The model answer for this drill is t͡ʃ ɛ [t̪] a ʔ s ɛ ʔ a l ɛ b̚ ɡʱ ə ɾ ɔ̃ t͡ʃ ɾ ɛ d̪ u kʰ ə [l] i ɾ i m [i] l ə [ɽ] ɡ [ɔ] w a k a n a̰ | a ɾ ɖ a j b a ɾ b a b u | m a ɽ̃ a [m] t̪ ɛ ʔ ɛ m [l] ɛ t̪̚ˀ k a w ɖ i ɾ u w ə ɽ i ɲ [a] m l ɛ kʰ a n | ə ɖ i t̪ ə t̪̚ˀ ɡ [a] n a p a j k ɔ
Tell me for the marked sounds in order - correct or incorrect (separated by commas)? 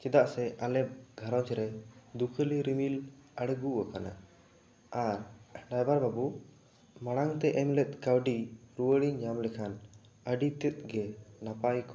incorrect, correct, correct, correct, incorrect, incorrect, correct, correct, incorrect